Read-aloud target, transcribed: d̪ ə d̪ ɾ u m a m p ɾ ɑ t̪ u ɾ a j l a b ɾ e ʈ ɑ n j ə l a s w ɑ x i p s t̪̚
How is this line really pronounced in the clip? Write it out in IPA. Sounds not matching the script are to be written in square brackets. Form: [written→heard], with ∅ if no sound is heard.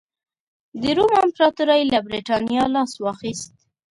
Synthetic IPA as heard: d̪ ə [d̪→∅] ɾ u m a m p ɾ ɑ t̪ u ɾ a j l a b ɾ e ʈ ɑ n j [ə→ɑ] l [a→ɑ] s w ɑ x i [p→∅] s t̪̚